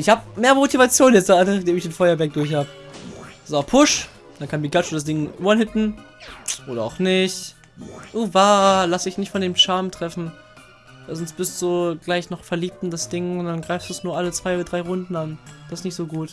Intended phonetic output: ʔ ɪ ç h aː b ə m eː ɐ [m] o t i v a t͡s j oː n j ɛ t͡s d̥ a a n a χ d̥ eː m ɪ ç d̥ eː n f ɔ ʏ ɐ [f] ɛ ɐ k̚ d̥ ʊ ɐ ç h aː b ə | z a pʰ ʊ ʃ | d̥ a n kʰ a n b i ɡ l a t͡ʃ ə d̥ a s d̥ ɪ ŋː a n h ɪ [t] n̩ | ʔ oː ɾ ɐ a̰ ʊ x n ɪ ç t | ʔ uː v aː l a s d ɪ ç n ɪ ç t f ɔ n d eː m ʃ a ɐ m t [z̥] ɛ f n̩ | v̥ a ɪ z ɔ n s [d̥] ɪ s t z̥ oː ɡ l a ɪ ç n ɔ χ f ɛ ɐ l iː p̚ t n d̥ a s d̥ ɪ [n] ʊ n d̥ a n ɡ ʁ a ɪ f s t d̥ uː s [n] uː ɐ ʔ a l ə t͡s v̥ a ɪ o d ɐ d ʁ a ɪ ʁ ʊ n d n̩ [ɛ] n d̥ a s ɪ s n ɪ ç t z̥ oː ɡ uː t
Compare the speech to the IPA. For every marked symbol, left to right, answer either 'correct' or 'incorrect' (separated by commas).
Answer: correct, incorrect, correct, incorrect, incorrect, incorrect, correct, incorrect